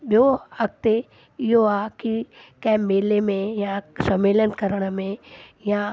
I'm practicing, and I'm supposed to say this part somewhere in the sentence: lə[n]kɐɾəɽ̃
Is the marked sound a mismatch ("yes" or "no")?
no